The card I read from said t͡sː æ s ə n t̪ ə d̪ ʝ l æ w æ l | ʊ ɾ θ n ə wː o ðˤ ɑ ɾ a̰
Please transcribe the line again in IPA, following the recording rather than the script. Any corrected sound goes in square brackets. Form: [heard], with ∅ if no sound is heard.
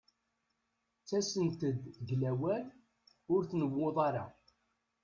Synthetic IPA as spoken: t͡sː æ s ə n t̪ ə d̪ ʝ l æ w æ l | ʊ ɾ θ n ə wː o ðˤ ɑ ɾ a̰